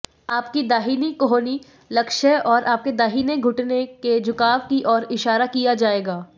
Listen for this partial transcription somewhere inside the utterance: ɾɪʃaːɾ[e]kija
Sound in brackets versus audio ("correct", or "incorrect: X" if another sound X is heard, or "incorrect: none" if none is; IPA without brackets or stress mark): incorrect: a